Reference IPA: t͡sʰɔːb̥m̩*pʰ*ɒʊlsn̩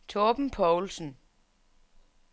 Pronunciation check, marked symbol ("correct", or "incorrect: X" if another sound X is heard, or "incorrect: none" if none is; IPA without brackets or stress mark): correct